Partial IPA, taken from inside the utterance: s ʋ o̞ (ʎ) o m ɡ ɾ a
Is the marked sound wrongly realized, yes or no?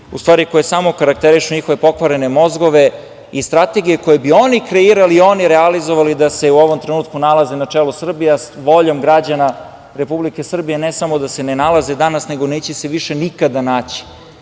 no